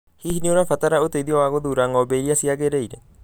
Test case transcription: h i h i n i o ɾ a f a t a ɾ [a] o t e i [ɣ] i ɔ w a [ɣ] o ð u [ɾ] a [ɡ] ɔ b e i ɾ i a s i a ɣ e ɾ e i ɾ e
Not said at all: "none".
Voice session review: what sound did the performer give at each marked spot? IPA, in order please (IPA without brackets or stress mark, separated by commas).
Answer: a, ð, ɣ, ɾ, ŋ